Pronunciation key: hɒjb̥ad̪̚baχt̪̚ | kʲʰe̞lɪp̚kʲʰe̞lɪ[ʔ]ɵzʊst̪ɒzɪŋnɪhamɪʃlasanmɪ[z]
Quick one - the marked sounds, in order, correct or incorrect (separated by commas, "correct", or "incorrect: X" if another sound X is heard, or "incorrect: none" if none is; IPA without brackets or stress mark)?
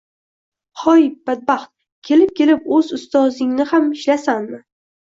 incorrect: p, incorrect: none